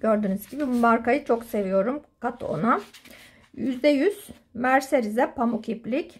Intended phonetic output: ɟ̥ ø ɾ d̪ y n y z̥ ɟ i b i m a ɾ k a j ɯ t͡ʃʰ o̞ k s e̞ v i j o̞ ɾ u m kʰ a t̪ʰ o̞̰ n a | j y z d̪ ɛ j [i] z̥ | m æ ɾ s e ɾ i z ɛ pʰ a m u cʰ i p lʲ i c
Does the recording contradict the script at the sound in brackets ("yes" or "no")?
yes